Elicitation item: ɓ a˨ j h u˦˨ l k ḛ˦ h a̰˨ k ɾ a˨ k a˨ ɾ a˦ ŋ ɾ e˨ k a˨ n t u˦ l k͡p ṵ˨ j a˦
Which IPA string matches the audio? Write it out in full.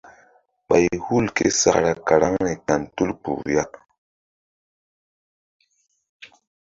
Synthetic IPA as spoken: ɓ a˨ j h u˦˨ l k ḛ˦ s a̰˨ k ɾ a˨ k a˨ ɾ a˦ ŋ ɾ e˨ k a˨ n t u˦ l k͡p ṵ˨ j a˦